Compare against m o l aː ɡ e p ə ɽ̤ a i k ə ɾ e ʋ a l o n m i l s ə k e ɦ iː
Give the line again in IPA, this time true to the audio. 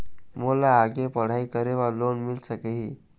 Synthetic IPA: m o l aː ɡ e p ə ɽ̤ a i k ə ɾ e ʋ a l o n m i l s ə k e ɦ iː